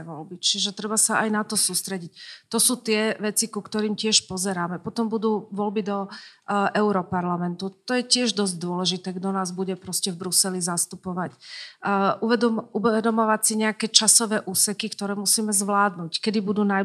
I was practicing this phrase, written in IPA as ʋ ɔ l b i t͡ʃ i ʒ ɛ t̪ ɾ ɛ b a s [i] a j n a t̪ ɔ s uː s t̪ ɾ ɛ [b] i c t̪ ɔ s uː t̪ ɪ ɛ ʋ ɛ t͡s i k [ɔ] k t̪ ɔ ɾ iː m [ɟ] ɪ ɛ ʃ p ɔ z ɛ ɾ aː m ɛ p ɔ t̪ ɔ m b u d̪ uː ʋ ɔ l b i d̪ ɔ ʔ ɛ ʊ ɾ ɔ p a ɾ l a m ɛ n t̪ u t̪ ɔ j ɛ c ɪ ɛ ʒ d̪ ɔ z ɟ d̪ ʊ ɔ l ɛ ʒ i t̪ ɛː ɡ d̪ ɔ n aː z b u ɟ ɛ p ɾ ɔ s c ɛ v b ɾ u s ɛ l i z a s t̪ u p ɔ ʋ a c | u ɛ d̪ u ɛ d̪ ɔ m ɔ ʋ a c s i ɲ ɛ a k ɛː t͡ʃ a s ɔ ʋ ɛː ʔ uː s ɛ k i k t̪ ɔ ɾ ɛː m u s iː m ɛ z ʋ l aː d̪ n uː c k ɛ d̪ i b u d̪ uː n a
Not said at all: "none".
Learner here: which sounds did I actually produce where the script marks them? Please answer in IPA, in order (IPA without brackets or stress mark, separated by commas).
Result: a, ɟ, u, c